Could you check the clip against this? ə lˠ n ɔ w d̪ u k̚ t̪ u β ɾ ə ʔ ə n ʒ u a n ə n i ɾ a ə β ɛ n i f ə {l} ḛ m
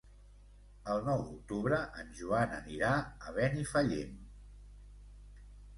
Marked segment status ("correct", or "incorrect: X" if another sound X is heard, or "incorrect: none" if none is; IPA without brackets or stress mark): incorrect: ʎ